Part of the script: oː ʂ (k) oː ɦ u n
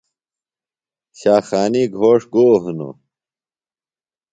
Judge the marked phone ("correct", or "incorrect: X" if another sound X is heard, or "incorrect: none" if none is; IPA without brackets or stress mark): incorrect: ɡ